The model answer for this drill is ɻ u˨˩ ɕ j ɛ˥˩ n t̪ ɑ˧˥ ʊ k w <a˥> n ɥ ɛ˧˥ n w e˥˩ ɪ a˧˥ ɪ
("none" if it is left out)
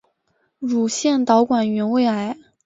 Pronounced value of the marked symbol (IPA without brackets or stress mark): a˨˩